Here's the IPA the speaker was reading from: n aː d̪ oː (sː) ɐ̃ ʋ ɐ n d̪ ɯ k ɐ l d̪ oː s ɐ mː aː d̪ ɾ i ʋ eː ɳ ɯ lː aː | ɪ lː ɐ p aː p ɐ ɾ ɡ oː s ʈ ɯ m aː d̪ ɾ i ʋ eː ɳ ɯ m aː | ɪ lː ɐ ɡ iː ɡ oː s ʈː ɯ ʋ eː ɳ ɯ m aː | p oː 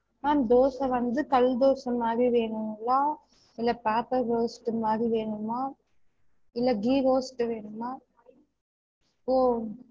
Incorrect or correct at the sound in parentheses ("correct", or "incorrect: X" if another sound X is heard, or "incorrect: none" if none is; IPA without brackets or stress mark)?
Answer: incorrect: s